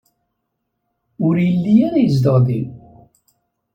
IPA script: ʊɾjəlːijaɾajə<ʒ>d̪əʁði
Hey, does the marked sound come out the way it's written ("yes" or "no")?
no